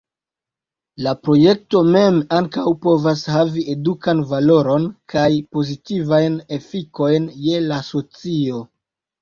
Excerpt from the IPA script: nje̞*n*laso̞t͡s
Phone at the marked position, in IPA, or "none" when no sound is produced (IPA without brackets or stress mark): none